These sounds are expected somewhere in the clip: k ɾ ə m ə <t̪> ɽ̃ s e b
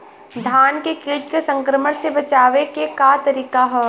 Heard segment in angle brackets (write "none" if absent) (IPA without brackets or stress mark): none